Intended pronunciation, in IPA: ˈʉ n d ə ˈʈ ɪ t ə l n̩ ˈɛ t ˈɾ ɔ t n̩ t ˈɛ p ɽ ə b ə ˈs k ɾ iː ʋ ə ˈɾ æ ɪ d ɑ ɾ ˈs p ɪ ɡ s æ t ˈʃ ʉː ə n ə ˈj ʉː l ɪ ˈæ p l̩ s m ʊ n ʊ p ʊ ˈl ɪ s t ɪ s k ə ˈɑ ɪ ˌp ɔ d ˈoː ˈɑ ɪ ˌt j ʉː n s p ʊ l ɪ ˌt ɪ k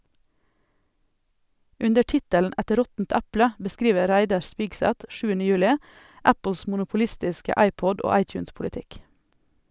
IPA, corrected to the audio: ˈʉ n d ə ˈʈ ɪ t ə l n̩ ˈɛ t ˈɾ ɔ t n̩ t ˈæ p l ə b ə ˈs k ɾ iː ʋ ə ˈɾ æ ɪ d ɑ ɾ ˈs p ɪ ɡ s æ t ˈʃ ʉː ə n ə ˈj ʉː l ɪ ˈæ p l̩ s m ʊ n ʊ p ʊ ˈl ɪ s t ɪ s k ə ˈɑ ɪ ˌp ɔ d ˈoː ˈɑ ɪ ˌt j ʉː n s p ʊ l ɪ ˌt ɪ k